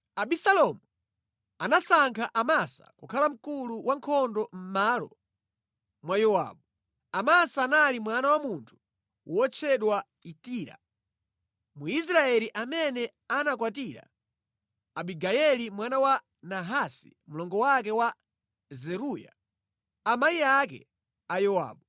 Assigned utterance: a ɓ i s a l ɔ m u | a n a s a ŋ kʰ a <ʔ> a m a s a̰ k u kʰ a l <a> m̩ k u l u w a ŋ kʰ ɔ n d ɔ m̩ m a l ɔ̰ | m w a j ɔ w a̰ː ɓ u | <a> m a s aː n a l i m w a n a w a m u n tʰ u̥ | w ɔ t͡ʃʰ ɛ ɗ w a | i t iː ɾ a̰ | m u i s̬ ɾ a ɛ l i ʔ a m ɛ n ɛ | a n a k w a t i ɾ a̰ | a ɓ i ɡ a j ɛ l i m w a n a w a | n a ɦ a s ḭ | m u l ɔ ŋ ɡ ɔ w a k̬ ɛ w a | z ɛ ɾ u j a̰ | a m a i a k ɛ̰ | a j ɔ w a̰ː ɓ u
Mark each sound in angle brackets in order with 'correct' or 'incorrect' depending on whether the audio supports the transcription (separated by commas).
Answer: correct, correct, correct